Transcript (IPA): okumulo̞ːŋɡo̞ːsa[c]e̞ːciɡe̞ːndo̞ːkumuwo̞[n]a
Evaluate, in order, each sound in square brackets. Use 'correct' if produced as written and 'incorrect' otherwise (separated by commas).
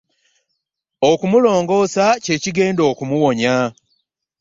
correct, incorrect